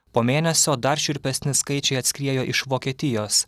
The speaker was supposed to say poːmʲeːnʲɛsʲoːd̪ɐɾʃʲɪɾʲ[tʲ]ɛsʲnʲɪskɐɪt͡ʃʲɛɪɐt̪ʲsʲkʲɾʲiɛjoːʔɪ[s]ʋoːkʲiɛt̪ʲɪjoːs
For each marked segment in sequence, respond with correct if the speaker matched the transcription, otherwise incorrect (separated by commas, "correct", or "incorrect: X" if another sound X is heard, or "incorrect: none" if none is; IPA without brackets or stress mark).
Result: incorrect: pʲ, incorrect: ʃ